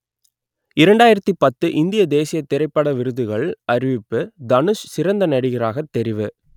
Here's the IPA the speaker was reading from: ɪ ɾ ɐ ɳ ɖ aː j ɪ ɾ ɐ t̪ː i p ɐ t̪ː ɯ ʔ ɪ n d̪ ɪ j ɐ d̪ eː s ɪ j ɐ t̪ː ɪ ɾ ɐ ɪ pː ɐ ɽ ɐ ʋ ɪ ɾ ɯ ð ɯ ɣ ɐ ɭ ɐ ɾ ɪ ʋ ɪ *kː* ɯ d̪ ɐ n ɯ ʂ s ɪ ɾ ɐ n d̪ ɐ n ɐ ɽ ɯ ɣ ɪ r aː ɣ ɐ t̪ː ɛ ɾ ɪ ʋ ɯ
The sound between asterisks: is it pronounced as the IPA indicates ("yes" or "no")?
no